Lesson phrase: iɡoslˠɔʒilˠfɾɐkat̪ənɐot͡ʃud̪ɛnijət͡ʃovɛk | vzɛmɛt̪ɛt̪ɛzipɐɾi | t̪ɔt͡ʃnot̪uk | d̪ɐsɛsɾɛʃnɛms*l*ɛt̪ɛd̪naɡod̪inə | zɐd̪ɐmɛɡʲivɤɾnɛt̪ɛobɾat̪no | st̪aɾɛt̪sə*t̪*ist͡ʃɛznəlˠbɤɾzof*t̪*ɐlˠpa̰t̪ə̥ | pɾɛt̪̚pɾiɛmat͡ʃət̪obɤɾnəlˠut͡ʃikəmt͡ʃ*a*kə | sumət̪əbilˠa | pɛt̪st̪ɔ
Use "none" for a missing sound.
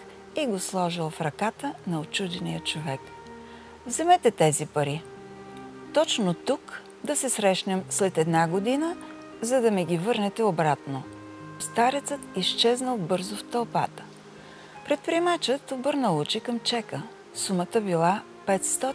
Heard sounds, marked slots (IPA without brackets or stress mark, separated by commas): l, t̪, t̪, ɛ